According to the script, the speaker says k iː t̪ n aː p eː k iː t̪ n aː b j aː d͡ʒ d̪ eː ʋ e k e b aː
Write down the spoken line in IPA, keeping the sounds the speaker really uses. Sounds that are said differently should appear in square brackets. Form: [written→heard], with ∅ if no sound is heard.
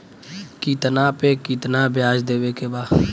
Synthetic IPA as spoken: k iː t̪ n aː p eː k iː t̪ n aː b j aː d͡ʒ d̪ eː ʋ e k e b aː